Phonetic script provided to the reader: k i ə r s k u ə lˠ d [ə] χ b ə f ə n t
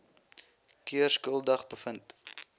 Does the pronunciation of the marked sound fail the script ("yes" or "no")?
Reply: yes